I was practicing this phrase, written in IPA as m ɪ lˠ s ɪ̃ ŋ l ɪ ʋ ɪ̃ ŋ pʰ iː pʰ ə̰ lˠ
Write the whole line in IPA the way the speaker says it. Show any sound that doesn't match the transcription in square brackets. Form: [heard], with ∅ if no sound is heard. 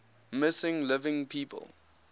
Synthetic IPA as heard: m ɪ [∅] s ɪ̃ ŋ l ɪ [v] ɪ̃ ŋ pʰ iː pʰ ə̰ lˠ